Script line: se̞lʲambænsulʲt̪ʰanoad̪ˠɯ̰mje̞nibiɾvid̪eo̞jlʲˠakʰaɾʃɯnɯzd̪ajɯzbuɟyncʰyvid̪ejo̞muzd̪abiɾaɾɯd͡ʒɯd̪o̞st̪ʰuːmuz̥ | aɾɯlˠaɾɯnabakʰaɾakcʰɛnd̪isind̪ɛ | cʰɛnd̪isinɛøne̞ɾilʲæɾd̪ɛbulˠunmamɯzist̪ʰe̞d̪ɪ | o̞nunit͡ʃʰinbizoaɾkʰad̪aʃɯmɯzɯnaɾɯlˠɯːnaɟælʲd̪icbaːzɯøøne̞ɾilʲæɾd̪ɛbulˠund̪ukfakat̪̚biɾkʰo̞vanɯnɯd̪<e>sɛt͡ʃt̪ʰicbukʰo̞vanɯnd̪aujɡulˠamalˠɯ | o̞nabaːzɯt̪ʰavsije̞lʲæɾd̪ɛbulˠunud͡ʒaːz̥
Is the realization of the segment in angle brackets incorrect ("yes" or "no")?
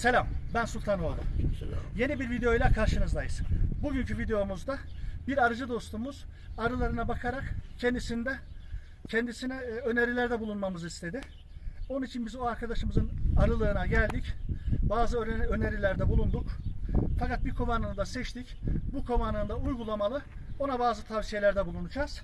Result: yes